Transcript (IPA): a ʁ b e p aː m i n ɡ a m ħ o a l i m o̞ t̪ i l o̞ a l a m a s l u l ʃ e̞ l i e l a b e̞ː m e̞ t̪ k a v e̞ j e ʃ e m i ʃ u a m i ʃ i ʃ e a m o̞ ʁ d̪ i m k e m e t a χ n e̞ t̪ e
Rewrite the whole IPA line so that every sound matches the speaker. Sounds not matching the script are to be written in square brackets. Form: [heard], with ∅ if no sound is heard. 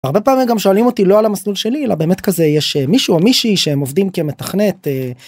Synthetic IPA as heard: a ʁ b e p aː m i [m] ɡ a m [ʃ] o a l i m o̞ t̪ i l o̞ a l a m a s l u l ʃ e̞ l i e l a b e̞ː m e̞ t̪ k a [z] e̞ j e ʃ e m i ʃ u a m i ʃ i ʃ e [e] m o̞ [v] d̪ i m k e m e t a χ n e̞ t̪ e